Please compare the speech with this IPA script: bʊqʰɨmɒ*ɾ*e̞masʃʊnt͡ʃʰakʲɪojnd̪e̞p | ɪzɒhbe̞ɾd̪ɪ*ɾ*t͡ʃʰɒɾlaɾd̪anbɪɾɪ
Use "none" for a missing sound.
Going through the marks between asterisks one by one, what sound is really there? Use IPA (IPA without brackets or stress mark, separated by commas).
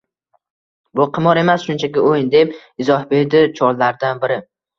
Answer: ɾ, none